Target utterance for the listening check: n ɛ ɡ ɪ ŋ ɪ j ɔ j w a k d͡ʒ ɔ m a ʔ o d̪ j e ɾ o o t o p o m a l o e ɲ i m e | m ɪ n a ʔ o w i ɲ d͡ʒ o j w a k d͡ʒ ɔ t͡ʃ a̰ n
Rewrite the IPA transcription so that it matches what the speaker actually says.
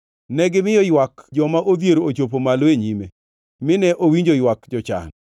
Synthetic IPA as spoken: n ɛ ɡ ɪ m ɪ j ɔ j w a k d͡ʒ ɔ m a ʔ o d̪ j e ɾ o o t͡ʃ o p o m a l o e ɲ i m e | m ɪ n ɛ ʔ o w i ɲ d͡ʒ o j w a k d͡ʒ ɔ t͡ʃ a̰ n